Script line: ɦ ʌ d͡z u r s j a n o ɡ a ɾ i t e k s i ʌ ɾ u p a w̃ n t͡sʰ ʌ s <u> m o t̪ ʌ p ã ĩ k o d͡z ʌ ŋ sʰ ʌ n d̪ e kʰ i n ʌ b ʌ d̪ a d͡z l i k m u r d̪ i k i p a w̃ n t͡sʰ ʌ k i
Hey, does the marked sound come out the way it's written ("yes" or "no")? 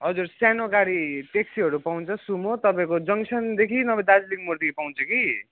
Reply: yes